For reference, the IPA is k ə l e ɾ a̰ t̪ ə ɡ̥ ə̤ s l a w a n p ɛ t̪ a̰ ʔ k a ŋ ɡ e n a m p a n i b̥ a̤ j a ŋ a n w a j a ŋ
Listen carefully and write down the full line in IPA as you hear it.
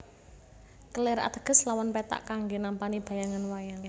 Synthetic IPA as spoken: k ə l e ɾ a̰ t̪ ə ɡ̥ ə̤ s l a w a n p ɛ t̪ a̰ ʔ k a ŋ ɡ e n a m p a n i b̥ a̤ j a ŋ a n w a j a ŋ